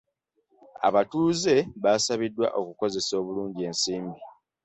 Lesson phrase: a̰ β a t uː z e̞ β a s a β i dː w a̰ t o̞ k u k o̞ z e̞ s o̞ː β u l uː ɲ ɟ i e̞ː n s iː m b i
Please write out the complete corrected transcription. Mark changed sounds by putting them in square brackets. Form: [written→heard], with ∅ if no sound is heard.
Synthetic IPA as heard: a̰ β a t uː z e̞ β a s a β i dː w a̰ [t→ʔ] o̞ k u k o̞ z e̞ s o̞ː β u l uː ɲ ɟ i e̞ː n s iː m b i